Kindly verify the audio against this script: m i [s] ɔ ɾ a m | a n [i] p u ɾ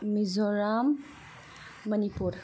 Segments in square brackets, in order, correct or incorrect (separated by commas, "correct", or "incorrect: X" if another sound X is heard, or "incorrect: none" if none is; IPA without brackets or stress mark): incorrect: z, correct